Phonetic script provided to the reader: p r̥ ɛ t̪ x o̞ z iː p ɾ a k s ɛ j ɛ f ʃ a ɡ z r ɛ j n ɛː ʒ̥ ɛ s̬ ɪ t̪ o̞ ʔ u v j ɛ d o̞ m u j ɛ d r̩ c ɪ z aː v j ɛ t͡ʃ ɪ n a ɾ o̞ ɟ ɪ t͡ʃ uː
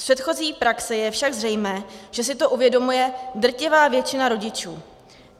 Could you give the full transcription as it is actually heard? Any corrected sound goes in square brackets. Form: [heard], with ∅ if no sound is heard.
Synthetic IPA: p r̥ ɛ t̪ x o̞ z iː p ɾ a k s ɛ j ɛ f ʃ a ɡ z r ɛ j [m] ɛː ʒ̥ ɛ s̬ ɪ t̪ o̞ ʔ u v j ɛ d o̞ m u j ɛ d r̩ c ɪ [v] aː v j ɛ t͡ʃ ɪ n a ɾ o̞ ɟ ɪ t͡ʃ uː